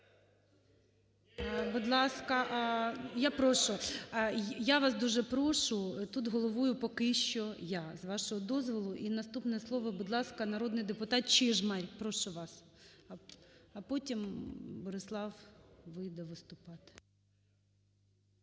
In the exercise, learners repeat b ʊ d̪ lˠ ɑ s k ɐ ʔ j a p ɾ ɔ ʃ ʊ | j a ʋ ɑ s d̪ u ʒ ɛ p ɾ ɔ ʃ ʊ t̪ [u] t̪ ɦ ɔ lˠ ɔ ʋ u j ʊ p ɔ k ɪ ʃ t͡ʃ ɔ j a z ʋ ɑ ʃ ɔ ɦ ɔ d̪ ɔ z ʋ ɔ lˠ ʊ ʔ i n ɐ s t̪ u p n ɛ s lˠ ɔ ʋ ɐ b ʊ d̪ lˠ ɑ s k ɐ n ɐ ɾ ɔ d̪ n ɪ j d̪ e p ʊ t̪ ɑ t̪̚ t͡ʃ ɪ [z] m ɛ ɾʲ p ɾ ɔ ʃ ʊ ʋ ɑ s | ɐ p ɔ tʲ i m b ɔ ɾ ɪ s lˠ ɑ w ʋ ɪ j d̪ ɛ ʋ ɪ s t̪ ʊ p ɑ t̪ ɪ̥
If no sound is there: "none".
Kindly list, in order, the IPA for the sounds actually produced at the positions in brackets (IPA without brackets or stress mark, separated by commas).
u, ʒ